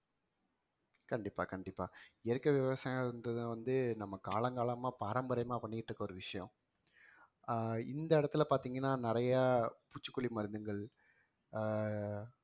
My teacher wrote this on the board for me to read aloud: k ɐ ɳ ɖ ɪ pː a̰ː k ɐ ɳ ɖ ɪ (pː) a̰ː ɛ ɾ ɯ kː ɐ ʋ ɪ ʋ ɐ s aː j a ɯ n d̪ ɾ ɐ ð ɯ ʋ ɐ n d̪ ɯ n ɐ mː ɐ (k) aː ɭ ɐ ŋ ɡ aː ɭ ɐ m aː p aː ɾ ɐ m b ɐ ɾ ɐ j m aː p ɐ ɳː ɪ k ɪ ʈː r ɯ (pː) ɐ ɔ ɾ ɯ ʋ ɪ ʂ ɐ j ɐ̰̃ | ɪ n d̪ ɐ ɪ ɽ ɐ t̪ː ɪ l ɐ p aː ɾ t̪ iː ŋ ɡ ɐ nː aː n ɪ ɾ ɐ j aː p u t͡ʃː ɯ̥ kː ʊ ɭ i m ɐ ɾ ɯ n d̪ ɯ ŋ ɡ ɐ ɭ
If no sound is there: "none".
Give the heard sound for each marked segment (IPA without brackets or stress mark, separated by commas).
pː, k, kː